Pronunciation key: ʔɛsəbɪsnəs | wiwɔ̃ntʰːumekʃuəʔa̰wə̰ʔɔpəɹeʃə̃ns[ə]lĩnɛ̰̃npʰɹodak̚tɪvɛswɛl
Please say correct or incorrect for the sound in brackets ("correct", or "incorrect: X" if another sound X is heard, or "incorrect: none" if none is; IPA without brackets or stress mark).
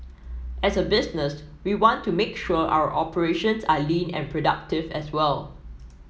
incorrect: a